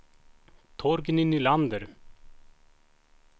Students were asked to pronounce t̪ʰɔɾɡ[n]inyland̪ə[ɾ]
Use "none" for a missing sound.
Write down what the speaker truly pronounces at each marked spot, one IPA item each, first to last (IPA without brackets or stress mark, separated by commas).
n, ɾ